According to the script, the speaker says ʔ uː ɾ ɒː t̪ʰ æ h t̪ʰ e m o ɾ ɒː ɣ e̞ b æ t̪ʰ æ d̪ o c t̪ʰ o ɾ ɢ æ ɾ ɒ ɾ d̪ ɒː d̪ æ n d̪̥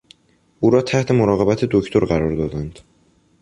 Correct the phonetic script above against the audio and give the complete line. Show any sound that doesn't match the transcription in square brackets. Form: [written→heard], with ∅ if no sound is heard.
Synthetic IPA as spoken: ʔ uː ɾ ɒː t̪ʰ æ h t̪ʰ e m o ɾ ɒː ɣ e̞ b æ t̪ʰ [æ→e] d̪ o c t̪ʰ o ɾ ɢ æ ɾ ɒ ɾ d̪ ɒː d̪ æ n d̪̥

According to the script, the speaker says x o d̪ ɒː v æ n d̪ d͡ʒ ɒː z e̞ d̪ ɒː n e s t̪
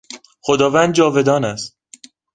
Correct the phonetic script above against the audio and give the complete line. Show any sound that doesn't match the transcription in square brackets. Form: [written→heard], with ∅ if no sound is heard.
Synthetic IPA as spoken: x o d̪ ɒː v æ n d̪ d͡ʒ ɒː [z→v] e̞ d̪ ɒː n [e→æ] s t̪

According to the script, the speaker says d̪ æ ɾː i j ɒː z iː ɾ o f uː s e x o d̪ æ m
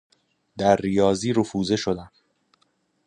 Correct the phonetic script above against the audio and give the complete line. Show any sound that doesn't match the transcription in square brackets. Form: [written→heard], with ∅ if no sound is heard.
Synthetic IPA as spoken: d̪ æ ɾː i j ɒː z iː ɾ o f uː [s→z] e [x→ʃ] o d̪ æ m

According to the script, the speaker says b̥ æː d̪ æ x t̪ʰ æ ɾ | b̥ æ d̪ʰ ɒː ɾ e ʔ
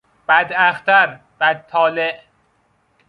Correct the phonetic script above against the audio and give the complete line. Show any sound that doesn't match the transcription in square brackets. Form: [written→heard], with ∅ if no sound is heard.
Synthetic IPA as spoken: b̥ [æː→æ] d̪ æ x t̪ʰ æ ɾ | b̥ æ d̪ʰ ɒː [ɾ→l] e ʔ

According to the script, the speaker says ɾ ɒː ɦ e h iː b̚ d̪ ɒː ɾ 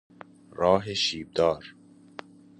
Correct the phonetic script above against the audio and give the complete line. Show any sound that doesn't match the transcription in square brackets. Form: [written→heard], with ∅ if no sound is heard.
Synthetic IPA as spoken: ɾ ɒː ɦ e [h→ʃ] iː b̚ d̪ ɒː ɾ

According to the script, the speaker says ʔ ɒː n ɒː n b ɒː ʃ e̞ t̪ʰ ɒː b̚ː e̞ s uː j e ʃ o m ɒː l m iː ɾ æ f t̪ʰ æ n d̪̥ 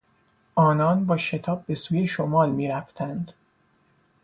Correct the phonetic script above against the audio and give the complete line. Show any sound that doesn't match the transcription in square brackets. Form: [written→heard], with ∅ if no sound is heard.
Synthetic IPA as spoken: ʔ ɒː n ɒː n b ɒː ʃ e̞ t̪ʰ ɒː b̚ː e̞ s uː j e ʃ o m ɒː l m iː ɾ æ f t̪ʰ æ n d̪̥

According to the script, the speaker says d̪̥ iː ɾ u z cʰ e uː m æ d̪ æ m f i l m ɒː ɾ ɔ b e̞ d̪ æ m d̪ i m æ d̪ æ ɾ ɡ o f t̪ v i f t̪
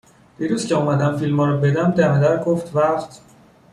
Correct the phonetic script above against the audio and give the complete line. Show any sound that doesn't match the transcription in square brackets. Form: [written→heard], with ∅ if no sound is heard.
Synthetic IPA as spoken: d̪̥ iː ɾ u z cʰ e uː m æ d̪ æ m f i l m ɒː ɾ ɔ b e̞ d̪ æ m d̪ [i→æ] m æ d̪ æ ɾ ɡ o f t̪ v [i→æ] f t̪

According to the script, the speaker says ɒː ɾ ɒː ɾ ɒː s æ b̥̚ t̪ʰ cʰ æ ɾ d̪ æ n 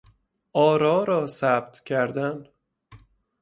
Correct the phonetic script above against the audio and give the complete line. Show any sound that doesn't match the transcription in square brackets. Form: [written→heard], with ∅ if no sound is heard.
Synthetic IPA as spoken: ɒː ɾ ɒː ɾ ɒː s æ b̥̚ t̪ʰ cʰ æ ɾ d̪ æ n

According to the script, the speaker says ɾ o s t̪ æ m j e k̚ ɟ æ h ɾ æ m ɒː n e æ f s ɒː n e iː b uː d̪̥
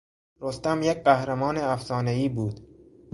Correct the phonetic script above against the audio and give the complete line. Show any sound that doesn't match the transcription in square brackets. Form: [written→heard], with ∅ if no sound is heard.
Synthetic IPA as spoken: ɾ o s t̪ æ m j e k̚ [ɟ→ɢ] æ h ɾ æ m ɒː n e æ f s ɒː n e iː b uː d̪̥

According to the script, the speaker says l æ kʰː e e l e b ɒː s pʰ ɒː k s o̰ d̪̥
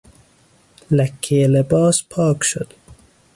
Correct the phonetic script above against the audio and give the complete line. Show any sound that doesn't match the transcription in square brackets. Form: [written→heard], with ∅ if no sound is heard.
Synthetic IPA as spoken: l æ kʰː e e l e b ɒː s pʰ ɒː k [s→ʃ] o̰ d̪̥

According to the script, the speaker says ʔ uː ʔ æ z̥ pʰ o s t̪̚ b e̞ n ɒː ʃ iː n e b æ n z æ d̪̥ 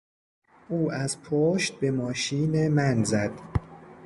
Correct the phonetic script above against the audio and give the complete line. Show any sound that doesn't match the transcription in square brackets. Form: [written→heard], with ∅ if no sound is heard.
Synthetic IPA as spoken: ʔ uː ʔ æ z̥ pʰ o [s→ʃ] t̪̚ b e̞ [n→m] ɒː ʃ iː n e [b→m] æ n z æ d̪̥

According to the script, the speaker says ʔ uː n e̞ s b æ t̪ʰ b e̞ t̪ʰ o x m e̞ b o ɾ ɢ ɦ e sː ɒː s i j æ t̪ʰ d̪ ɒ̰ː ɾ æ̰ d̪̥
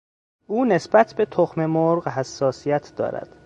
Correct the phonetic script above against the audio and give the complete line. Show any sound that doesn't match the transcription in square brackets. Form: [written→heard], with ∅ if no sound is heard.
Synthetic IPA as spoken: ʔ uː n e̞ s b æ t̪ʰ b e̞ t̪ʰ o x m e̞ [b→m] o ɾ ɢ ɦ [e→æ] sː ɒː s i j æ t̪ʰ d̪ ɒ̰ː ɾ æ̰ d̪̥

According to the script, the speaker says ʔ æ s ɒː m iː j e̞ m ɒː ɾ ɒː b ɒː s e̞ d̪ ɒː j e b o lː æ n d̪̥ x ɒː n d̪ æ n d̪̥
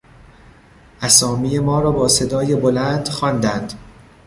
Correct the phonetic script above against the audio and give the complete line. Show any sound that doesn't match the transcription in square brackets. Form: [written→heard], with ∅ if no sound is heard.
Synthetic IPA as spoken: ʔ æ s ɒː m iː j e̞ m ɒː ɾ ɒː b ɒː s e̞ d̪ ɒː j e b o [lː→l] æ n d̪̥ x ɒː n d̪ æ n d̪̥

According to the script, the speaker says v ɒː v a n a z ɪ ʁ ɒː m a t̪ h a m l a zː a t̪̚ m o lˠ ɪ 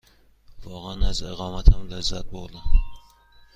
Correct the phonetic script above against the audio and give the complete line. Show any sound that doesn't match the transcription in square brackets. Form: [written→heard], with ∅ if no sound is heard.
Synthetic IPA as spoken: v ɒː [v→ʁ] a n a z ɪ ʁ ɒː m a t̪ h a m l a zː a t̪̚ [m→b] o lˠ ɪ

